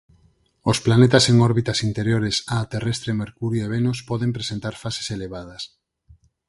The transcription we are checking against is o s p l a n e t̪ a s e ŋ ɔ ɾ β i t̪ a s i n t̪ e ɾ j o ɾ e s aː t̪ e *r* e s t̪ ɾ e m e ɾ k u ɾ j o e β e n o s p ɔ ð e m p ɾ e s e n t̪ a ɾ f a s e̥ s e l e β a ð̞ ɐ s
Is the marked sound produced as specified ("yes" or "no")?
yes